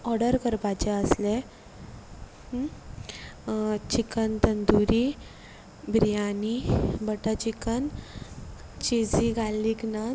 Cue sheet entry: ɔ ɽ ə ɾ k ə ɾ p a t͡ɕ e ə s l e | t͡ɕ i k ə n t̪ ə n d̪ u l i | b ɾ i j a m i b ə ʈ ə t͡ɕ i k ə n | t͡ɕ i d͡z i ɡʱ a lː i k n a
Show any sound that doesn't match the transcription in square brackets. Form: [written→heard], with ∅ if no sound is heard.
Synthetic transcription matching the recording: ɔ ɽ ə ɾ k ə ɾ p a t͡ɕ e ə s l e | t͡ɕ i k ə n t̪ ə n d̪ u [l→ɾ] i | b ɾ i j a [m→n] i b ə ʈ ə t͡ɕ i k ə n | t͡ɕ i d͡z i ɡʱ a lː i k n a